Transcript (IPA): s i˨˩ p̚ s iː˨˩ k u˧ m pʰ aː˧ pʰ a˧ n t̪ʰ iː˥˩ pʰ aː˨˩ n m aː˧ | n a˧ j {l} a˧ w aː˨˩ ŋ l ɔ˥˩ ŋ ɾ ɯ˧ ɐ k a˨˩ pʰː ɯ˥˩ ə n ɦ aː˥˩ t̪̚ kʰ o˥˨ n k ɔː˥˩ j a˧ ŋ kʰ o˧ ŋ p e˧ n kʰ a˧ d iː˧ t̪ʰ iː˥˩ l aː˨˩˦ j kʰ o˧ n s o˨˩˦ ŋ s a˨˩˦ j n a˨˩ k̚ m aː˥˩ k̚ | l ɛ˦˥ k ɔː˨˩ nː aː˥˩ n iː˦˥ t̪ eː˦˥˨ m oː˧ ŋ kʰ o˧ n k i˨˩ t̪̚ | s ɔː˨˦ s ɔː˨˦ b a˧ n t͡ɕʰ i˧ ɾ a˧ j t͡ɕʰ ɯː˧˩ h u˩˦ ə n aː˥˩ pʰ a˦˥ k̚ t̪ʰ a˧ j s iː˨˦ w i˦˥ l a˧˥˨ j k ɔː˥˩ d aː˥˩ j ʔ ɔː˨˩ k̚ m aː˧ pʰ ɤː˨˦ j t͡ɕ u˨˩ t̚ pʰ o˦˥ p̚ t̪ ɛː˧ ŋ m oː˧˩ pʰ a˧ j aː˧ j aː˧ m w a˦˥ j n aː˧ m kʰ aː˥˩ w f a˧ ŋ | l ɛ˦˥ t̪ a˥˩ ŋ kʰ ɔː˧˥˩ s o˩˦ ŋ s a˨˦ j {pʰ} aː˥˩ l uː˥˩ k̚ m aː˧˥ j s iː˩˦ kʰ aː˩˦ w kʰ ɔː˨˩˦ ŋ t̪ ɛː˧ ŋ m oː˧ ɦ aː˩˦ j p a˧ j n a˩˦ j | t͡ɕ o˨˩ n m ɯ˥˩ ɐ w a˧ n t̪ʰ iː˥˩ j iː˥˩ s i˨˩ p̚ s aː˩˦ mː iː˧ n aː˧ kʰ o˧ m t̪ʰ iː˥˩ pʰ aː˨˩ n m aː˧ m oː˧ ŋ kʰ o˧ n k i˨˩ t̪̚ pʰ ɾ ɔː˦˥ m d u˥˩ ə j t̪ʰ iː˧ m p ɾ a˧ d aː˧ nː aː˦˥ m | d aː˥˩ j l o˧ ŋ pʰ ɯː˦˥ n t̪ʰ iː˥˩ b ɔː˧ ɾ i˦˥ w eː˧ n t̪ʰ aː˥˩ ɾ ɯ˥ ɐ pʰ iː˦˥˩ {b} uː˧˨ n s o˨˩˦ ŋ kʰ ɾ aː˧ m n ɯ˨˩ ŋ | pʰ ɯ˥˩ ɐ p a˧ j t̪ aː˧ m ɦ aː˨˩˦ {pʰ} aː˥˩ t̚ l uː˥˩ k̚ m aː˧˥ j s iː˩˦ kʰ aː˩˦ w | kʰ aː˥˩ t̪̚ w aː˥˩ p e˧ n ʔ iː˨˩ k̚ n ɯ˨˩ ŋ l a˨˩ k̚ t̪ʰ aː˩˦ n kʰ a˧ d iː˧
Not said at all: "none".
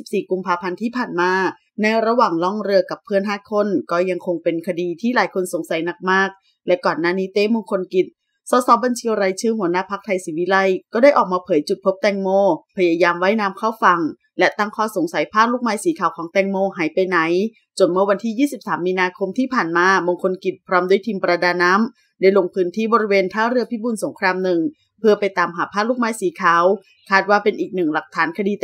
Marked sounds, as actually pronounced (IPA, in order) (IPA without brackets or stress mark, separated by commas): ɾ, pʰ, b, pʰ